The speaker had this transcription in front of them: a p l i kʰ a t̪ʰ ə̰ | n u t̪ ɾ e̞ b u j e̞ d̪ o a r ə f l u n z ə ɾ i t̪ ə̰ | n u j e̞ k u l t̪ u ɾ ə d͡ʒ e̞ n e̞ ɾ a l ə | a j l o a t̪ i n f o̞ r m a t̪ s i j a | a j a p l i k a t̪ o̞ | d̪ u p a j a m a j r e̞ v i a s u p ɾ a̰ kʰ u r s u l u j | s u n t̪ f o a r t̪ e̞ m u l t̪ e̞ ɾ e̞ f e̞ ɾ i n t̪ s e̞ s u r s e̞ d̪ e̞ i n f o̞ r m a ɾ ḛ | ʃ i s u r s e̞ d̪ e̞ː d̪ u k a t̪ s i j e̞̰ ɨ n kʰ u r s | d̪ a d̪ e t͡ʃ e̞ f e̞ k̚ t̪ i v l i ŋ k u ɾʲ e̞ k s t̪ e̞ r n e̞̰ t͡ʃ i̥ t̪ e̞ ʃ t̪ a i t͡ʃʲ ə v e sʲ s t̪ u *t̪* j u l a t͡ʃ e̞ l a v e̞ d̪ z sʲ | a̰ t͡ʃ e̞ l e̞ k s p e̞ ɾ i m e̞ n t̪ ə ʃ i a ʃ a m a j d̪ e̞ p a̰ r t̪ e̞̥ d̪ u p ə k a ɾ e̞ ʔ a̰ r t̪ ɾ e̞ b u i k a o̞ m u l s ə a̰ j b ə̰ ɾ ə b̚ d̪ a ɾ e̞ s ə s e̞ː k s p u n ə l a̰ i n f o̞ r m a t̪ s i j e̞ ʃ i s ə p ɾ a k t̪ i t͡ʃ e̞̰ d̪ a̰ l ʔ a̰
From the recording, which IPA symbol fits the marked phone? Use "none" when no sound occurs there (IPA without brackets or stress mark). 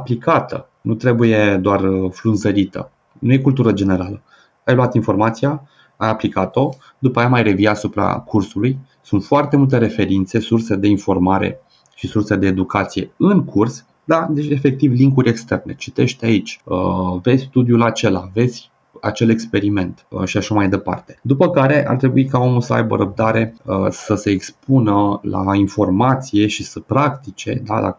d̪